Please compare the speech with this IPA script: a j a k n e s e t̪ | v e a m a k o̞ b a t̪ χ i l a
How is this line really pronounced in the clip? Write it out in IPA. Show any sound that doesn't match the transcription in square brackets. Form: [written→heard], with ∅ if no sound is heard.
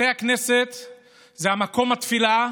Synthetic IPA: [a→e] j a k n e s e t̪ | [v→z] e a m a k o̞ [b→m] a t̪ [χ→f] i l a